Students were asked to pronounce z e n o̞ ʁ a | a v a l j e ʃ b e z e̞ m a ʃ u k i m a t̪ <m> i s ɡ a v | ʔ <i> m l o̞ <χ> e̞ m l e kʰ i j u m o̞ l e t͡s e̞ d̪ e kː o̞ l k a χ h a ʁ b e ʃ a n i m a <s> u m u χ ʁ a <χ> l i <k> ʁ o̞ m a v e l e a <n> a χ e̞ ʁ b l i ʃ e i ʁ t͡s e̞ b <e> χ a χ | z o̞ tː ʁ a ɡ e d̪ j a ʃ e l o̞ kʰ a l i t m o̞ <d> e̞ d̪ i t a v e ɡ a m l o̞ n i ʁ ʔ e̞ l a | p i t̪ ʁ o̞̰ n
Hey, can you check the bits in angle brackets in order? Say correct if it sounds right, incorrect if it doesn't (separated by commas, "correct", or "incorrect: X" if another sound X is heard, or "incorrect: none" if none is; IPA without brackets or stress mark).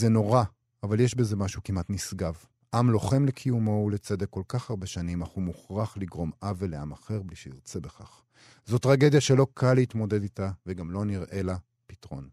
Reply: incorrect: n, incorrect: a, correct, incorrect: χ, correct, incorrect: ɡ, incorrect: m, correct, correct